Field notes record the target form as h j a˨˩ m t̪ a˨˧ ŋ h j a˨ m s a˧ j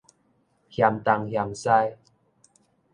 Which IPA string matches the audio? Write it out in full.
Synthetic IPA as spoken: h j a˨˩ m t̪ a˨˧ ŋ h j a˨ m s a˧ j